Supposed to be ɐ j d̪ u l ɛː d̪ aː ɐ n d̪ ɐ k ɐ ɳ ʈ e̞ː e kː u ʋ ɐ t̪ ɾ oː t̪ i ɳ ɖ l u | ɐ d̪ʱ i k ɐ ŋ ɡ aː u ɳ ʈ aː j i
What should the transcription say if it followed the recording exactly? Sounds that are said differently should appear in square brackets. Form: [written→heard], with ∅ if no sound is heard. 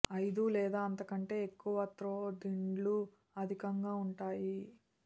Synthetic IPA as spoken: ɐ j d̪ u l ɛː d̪ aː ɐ n [d̪→t̪] ɐ k ɐ ɳ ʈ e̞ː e kː u ʋ ɐ t̪ ɾ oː [t̪→d̪] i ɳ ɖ l u | ɐ d̪ʱ i k ɐ ŋ ɡ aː u ɳ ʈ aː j i